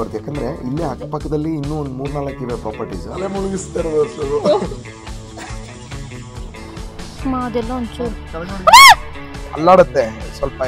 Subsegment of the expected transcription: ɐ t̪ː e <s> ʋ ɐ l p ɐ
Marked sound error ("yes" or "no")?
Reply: no